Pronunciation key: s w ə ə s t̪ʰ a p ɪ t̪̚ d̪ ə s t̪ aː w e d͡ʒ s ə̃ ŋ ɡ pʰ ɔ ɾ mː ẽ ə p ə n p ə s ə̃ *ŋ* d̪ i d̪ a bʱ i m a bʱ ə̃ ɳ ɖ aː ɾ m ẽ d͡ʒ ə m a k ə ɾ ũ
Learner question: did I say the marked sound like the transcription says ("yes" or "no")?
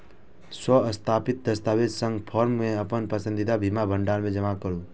no